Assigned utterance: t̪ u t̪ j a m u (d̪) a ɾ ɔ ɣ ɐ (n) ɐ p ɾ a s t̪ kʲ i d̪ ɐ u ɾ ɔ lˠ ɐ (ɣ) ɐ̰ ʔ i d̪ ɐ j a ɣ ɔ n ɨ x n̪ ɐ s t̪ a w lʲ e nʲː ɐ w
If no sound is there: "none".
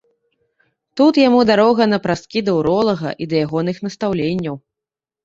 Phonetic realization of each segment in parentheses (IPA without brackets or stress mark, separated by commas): d̪, n, ɣ